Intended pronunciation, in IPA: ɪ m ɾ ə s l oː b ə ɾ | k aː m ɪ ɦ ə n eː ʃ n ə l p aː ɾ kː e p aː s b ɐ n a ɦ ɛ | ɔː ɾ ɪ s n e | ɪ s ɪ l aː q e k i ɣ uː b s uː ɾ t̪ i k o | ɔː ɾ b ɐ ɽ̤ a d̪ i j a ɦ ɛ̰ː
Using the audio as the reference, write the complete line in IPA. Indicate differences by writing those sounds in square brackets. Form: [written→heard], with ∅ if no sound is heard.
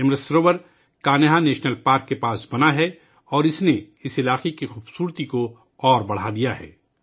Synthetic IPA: ɪ m ɾ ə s [l→ɾ] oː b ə ɾ | k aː [m→n] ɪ ɦ [ə→a] n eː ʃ n ə l p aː ɾ kː e p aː s b ɐ n a ɦ ɛ | ɔː ɾ ɪ s n e | ɪ s ɪ l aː q e k i [ɣ→x] uː b s uː ɾ t̪ i k o | ɔː ɾ b ɐ ɽ̤ a d̪ i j a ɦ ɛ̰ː